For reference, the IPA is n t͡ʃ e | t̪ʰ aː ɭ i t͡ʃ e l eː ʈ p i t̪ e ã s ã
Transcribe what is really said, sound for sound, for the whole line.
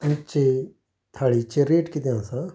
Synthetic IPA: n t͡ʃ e | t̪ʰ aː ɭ i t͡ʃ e ɾ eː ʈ k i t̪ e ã s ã